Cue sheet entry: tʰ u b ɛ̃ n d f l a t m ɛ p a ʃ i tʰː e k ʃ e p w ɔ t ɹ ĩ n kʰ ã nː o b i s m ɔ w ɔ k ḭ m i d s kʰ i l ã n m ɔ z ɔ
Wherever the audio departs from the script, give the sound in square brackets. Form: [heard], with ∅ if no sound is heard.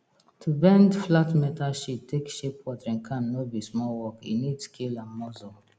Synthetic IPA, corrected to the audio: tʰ u b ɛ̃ n d f l a t m ɛ [t] a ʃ i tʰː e k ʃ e p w ɔ t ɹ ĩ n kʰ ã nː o b i s m ɔ w ɔ k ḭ [n] i d s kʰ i l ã n m ɔ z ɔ